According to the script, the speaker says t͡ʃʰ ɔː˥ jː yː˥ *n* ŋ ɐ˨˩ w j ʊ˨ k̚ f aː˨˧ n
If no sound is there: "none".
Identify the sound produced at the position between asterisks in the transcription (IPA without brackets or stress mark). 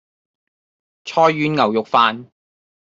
n